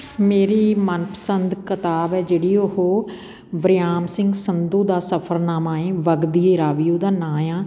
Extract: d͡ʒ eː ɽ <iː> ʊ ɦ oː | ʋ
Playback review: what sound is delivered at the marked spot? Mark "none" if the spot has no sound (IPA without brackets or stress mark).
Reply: iː